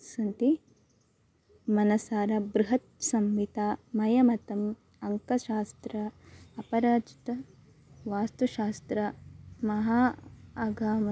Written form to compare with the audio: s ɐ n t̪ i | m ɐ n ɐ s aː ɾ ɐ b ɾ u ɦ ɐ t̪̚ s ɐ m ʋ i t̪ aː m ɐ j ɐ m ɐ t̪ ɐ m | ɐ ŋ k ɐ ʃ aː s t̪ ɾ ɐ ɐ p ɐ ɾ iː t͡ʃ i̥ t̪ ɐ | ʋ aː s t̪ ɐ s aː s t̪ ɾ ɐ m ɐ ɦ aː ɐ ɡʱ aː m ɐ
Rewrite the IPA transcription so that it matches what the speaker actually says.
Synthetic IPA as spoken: s ɐ n t̪ i | m ɐ n ɐ s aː ɾ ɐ b ɾ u ɦ ɐ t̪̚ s ɐ m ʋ i t̪ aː m ɐ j ɐ m ɐ t̪ ɐ m | ɐ ŋ k ɐ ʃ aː s t̪ ɾ ɐ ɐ p ɐ ɾ aː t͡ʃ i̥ t̪ ɐ | ʋ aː s t̪ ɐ ʃ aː s t̪ ɾ ɐ m ɐ ɦ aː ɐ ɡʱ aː m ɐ